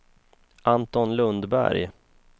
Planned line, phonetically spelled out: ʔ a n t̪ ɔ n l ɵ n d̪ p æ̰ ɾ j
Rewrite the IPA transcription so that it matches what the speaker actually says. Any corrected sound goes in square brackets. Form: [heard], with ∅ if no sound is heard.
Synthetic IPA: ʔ a n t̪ ɔ n l ɵ n d̪ [b] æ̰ ɾ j